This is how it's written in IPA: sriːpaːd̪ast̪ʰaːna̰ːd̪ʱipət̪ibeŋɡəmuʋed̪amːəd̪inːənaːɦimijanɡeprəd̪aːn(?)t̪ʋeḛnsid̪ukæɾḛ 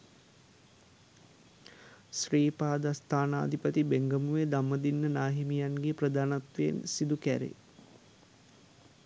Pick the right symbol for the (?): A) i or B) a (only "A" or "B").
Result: B